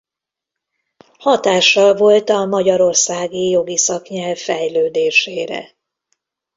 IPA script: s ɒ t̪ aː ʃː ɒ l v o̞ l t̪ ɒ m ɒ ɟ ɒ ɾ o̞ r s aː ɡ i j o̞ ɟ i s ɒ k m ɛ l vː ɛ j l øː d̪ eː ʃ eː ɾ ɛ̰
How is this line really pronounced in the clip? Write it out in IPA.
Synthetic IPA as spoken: h ɒ t̪ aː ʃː ɒ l v o̞ l t̪ ɒ m ɒ ɟ ɒ ɾ o̞ r s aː ɡ i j o̞ ɡ i s ɒ k ɲ ɛ l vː ɛ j l øː d̪ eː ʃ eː ɾ ɛ̰